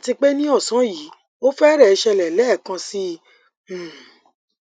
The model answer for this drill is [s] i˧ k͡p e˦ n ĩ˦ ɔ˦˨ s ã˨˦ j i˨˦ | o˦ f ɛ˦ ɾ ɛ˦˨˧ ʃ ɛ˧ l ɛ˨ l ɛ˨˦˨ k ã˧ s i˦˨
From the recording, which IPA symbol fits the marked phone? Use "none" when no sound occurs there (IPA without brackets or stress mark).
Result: t